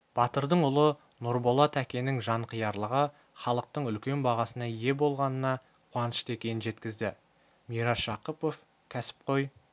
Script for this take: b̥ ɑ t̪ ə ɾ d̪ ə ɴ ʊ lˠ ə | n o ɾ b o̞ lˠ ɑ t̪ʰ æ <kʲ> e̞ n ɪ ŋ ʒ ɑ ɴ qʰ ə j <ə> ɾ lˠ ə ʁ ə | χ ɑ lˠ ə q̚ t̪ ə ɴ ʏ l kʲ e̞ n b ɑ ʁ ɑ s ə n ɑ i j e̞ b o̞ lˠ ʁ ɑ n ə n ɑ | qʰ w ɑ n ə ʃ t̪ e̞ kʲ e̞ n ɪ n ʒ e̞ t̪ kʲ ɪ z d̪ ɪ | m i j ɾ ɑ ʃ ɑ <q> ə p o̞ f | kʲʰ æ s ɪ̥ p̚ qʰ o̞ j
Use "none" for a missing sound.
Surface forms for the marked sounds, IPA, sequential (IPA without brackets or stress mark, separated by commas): kʲ, ɑ, q